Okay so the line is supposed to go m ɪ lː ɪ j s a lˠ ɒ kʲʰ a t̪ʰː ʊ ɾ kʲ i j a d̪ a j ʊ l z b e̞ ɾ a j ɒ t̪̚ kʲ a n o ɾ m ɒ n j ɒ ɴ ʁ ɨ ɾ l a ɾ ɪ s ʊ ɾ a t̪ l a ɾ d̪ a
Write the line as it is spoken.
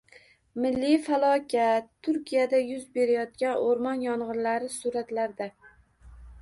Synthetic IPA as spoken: m ɪ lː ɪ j f a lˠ ɒ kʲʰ a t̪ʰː ʊ ɾ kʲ i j a d̪ a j ʊ z b e̞ ɾ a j ɒ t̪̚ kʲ a n o ɾ m ɒ n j ɒ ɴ ʁ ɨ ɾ l a ɾ ɪ s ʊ ɾ a t̪ l a ɾ d̪ a